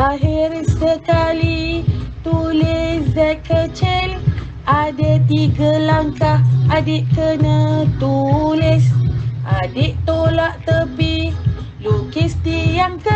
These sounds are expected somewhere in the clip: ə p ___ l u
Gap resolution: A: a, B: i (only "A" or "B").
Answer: B